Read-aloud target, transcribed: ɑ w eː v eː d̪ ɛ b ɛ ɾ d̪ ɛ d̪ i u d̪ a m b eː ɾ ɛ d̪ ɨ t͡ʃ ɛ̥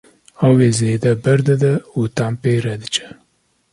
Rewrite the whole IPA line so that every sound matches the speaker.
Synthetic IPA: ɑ w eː z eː d̪ ɛ b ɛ ɾ d̪ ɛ d̪ ɛ u t̪ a m p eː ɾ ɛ d̪ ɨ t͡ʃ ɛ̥